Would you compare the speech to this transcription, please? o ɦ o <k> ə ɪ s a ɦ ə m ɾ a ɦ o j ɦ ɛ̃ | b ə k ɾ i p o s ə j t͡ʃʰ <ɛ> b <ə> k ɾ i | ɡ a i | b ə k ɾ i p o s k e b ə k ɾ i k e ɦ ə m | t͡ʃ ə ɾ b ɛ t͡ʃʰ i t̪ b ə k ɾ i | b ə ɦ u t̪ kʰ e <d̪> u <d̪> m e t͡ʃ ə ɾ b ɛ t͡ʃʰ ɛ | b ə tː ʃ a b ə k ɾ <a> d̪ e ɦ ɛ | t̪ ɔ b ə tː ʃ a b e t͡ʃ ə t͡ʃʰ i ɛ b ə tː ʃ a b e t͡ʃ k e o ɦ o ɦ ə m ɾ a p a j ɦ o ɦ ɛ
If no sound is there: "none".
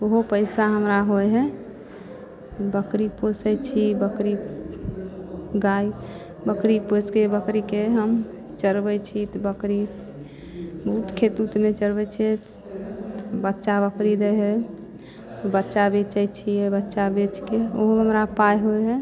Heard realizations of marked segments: p, i, ə, t̪, t̪, i

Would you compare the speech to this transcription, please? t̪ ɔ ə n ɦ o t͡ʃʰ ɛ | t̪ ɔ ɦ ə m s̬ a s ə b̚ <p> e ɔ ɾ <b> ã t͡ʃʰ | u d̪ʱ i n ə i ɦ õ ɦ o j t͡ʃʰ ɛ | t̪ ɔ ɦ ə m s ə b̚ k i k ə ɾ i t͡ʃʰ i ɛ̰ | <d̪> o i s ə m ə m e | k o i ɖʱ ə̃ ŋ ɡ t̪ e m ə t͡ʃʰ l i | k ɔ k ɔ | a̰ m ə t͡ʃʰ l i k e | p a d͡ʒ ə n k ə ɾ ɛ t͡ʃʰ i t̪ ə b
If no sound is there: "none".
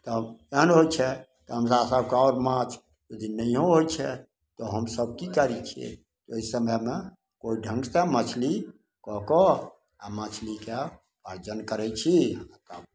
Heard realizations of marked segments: k, m, t̪

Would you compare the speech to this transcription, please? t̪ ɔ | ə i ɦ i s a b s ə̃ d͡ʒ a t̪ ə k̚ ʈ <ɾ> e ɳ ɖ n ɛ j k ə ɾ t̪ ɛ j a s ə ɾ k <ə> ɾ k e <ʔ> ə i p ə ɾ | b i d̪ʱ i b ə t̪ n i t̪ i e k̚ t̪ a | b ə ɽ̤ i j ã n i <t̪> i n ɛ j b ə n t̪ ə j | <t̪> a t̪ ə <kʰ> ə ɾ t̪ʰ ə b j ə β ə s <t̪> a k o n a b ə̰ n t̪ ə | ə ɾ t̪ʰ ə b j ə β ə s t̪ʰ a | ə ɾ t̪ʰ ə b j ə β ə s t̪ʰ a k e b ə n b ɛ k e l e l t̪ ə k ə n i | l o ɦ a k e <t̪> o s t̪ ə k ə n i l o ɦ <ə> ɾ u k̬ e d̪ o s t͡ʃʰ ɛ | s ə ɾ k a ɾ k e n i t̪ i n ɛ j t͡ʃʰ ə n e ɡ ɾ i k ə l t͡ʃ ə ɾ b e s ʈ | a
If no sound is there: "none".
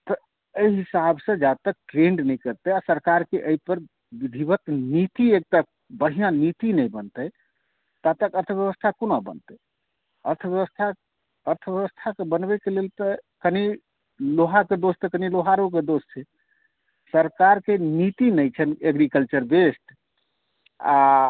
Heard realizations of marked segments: ɾ, a, ʔ, t̪, t̪, k, t̪ʰ, d̪, a

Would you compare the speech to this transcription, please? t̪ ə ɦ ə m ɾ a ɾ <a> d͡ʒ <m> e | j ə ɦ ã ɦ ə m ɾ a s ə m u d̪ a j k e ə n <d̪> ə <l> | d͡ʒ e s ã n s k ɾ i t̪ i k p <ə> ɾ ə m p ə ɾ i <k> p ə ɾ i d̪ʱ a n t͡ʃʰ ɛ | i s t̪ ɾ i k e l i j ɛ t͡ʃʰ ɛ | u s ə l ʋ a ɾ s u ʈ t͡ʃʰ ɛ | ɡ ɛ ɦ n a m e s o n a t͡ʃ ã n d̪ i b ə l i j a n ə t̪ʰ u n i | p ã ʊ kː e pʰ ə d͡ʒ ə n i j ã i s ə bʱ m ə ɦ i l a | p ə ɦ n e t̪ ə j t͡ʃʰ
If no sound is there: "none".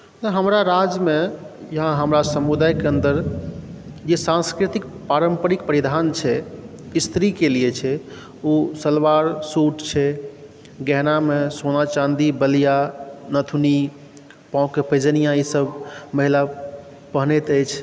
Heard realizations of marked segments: a, m, d̪, ɾ, a, k

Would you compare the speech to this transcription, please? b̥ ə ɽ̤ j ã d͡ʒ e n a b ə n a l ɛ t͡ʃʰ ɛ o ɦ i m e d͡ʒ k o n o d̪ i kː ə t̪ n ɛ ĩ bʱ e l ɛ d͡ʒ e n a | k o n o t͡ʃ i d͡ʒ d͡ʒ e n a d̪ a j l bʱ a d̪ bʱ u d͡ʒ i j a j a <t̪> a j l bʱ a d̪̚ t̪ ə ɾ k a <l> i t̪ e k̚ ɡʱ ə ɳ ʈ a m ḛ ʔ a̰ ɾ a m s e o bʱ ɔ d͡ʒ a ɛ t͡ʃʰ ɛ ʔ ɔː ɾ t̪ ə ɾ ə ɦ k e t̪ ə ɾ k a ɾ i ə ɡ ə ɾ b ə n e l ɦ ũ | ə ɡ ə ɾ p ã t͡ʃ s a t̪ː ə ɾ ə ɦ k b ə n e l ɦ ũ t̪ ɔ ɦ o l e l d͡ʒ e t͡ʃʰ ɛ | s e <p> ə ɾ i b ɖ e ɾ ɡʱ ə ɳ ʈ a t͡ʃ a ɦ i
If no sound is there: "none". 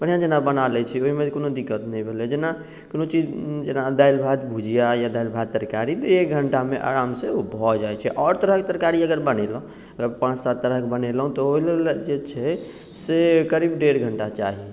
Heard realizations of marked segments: d̪, ɾ, k

